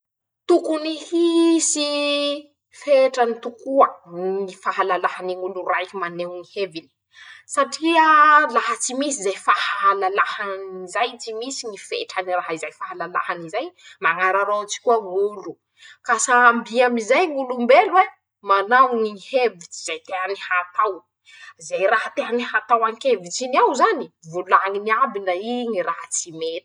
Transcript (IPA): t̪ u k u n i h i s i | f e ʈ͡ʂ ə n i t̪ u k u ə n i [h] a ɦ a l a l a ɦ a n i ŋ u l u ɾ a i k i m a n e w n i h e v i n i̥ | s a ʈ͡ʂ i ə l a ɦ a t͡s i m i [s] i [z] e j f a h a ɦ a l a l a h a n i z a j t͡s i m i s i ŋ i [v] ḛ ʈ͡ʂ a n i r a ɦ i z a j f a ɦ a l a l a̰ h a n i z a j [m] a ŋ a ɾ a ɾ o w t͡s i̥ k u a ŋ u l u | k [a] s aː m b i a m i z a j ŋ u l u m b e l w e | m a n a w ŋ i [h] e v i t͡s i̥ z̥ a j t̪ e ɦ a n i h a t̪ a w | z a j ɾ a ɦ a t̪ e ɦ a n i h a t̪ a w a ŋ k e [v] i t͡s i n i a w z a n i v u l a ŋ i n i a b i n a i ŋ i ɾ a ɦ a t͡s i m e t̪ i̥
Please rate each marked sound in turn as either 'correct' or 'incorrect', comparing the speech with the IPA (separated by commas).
incorrect, correct, correct, incorrect, correct, correct, correct, correct